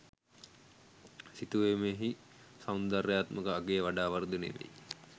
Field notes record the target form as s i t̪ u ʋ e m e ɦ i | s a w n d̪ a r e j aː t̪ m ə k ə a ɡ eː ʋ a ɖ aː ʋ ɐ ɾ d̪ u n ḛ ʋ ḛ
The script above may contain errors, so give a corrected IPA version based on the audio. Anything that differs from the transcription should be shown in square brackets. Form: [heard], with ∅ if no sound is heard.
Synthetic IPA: s i t̪ u ʋ e m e ɦ i | s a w n d̪ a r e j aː t̪ m ə k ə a ɡ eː ʋ a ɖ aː ʋ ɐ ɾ d̪ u n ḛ ʋ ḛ